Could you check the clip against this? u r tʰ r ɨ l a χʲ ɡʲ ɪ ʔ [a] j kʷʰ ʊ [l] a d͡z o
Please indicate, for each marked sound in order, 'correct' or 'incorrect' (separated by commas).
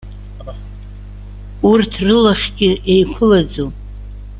incorrect, correct